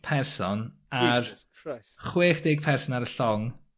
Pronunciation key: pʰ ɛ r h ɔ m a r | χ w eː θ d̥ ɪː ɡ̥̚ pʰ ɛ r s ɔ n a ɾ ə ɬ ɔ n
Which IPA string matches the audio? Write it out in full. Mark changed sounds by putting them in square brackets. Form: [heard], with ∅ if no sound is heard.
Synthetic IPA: pʰ ɛ r [s] ɔ [n] a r | χ w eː [χ] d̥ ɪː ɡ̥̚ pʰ ɛ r s ɔ n a ɾ ə ɬ ɔ [ŋ]